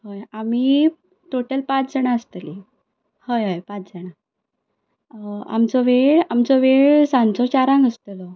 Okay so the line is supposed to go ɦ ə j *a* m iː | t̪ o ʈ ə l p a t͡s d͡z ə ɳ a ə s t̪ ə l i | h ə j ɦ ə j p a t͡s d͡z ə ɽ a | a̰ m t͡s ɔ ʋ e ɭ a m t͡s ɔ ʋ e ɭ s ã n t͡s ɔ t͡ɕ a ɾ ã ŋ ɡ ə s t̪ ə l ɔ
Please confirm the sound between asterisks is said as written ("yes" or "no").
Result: yes